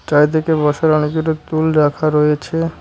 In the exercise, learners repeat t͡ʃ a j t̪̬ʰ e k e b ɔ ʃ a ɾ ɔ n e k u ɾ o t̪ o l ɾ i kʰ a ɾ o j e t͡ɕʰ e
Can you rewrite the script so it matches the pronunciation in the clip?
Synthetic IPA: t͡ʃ a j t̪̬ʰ e k e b ɔ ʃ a ɾ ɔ n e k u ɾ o t̪ u l ɾ a kʰ a ɾ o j e t͡ɕʰ e